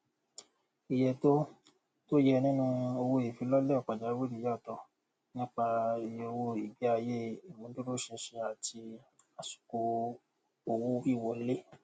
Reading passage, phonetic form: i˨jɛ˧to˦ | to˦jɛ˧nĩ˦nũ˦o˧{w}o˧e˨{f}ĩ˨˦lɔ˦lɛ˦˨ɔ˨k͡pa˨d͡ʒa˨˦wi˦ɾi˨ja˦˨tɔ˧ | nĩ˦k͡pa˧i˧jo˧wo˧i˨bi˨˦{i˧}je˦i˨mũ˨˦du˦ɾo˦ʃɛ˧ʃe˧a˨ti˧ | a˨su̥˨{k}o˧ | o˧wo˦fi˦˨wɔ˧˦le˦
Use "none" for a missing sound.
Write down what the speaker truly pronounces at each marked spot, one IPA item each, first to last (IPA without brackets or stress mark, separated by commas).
w, f, a˧, k